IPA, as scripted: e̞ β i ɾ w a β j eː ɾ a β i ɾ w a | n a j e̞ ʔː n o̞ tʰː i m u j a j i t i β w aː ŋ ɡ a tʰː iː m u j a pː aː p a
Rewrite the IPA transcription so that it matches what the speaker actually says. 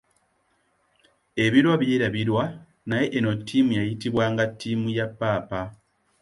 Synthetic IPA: e̞ β i ɾ w a β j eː ɾ a β i ɾ w a | n a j e̞ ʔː n o̞ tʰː i m u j a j i t i β w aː ŋ ɡ a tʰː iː m u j a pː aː p a